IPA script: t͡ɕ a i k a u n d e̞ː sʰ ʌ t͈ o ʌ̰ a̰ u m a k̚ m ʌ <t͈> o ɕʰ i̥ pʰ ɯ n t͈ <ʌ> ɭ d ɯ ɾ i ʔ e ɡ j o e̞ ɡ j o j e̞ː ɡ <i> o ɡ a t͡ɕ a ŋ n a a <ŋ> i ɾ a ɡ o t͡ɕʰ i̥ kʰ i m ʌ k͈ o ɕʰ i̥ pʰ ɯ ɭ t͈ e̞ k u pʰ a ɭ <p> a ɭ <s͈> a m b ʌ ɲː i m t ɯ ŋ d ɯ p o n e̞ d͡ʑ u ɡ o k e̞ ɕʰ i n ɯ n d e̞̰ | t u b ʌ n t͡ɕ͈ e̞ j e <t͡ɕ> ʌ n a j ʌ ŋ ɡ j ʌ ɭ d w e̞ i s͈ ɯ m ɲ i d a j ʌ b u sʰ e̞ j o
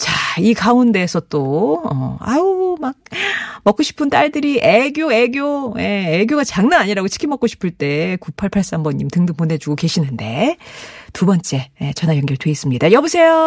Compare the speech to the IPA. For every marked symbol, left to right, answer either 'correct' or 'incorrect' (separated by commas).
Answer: incorrect, incorrect, incorrect, incorrect, incorrect, correct, correct